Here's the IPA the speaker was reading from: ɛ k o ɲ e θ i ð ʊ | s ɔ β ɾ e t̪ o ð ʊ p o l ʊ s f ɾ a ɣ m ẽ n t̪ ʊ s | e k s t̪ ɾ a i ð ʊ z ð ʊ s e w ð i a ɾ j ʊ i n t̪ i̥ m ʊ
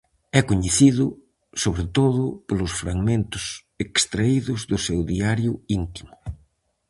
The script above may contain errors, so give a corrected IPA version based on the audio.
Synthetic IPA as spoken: ɛ k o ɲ e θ i ð ʊ | s o β ɾ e t̪ o ð ʊ p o l ʊ s f ɾ a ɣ m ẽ n t̪ ʊ s | e k s t̪ ɾ a i ð ʊ z ð ʊ s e w ð i a ɾ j ʊ i n t̪ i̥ m ʊ